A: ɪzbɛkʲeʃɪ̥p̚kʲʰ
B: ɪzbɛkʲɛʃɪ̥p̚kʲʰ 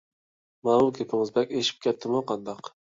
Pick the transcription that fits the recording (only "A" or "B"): A